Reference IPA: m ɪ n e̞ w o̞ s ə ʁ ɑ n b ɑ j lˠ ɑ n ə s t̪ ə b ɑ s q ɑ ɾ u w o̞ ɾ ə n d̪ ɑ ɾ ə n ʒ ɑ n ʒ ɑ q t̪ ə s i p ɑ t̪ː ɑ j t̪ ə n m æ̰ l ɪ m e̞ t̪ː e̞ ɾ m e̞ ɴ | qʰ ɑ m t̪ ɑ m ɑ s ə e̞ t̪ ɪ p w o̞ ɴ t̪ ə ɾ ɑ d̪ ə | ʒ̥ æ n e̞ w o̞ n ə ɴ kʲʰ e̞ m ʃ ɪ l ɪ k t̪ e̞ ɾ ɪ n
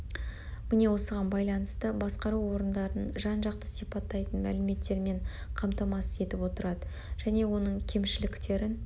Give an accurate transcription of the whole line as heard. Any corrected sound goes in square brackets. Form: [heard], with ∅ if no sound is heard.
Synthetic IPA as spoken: m ɪ n e̞ w o̞ s ə ʁ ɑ n b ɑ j lˠ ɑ n ə s t̪ ə b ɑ s q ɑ ɾ u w o̞ ɾ ə n d̪ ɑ ɾ ə n ʒ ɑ n ʒ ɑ q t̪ ə s i p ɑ t̪ː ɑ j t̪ ə n m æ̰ l ɪ m e̞ t̪ː e̞ ɾ m e̞ ɴ | qʰ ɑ m t̪ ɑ m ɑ s ə e̞ t̪ ɪ p w o̞ [∅] t̪ ə ɾ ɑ d̪ ə | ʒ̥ æ n e̞ w o̞ n ə ɴ kʲʰ e̞ m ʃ ɪ l ɪ k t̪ e̞ ɾ ɪ n